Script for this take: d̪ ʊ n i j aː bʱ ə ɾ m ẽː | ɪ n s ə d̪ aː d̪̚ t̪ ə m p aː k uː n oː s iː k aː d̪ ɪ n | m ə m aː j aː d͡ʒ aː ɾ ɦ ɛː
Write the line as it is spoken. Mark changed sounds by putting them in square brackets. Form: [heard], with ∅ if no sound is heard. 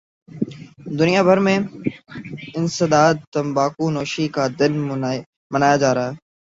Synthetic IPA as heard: d̪ ʊ n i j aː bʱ ə ɾ m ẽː | ɪ n s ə d̪ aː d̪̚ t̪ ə m [b] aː k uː n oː [ʃ] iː k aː d̪ ɪ n | m ə [n] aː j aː d͡ʒ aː ɾ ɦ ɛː